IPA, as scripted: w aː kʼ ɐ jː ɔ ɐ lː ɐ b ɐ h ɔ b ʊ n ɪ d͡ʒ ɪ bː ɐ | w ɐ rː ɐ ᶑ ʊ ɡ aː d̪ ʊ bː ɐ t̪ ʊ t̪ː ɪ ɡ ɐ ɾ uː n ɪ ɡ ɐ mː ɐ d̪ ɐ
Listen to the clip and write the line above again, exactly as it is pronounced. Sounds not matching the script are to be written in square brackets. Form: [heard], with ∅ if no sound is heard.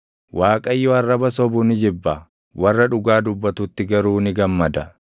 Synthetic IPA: w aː kʼ ɐ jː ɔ ɐ [rː] ɐ b ɐ [s] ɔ b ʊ n ɪ d͡ʒ ɪ bː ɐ | w ɐ rː ɐ ᶑ ʊ ɡ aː d̪ ʊ bː ɐ t̪ ʊ t̪ː ɪ ɡ ɐ ɾ uː n ɪ ɡ ɐ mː ɐ d̪ ɐ